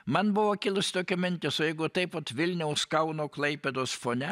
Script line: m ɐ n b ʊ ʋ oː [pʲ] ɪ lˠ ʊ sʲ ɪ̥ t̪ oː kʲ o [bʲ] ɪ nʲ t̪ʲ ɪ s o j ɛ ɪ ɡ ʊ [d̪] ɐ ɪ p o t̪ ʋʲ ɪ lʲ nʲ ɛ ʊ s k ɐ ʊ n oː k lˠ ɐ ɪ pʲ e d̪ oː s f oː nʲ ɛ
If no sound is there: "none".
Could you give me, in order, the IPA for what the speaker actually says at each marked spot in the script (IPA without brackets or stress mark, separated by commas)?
kʲ, mʲ, t̪